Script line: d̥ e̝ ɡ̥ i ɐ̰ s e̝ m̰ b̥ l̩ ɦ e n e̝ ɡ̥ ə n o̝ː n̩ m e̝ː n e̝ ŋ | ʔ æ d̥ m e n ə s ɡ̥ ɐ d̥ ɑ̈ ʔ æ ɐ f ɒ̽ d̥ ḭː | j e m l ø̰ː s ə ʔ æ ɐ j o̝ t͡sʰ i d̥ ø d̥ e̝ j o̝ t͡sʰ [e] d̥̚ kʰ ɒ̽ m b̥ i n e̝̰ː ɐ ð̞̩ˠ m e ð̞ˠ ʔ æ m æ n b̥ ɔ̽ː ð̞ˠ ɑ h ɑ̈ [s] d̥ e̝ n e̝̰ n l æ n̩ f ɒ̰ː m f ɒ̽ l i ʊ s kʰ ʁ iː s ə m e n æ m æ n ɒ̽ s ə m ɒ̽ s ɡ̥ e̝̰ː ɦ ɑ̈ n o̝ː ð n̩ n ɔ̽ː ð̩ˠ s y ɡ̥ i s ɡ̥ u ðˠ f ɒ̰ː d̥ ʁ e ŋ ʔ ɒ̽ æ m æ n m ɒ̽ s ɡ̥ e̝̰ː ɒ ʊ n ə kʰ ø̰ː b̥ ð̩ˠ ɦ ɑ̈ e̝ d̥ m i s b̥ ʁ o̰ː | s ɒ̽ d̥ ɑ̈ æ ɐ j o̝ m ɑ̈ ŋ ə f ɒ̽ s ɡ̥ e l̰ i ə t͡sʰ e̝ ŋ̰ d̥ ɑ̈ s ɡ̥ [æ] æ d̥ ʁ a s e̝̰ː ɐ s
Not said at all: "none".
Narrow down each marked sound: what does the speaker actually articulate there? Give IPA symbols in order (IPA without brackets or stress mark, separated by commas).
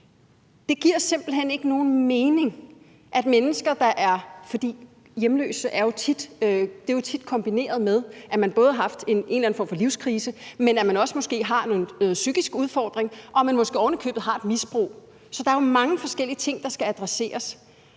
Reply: i, f, æ